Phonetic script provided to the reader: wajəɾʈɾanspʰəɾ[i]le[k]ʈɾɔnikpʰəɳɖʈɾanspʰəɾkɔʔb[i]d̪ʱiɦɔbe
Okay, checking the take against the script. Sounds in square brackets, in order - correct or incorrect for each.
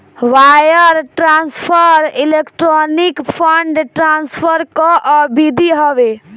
correct, correct, correct

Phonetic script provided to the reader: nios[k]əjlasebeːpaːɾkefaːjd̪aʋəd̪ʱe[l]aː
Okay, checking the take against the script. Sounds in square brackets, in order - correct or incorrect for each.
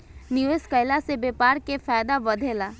correct, correct

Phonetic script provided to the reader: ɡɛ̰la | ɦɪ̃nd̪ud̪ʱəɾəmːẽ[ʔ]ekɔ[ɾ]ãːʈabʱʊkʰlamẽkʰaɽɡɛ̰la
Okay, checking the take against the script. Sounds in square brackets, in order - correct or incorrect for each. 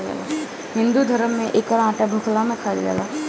correct, correct

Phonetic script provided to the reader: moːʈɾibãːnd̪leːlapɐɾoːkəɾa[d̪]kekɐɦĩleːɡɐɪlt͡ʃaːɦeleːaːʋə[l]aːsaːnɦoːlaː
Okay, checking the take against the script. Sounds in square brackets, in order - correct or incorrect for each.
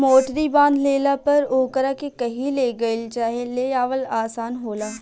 incorrect: none, correct

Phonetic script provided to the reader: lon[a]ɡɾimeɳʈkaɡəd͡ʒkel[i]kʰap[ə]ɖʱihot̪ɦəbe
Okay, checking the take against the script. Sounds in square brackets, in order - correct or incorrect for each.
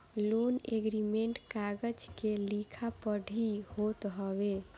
incorrect: e, correct, correct

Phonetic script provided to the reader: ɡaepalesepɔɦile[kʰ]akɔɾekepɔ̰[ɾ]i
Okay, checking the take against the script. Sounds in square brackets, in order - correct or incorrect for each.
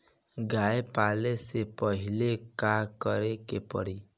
incorrect: k, incorrect: ɽ

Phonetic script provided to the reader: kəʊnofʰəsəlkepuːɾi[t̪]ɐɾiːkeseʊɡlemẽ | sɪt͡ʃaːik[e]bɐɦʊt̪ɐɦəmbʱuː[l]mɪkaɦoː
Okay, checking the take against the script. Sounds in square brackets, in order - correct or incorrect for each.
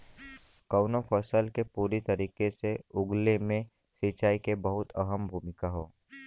correct, correct, incorrect: none

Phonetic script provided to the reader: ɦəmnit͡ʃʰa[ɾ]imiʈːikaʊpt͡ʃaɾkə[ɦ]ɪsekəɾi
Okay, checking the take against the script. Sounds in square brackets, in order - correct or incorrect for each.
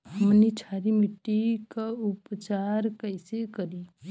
correct, incorrect: none

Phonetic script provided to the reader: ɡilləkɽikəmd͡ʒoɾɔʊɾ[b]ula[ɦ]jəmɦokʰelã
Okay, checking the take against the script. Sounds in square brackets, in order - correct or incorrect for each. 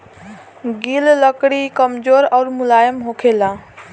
incorrect: m, incorrect: none

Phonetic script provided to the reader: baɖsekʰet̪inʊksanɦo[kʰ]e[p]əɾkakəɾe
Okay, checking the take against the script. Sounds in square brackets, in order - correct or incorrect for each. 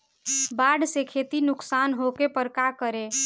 incorrect: k, correct

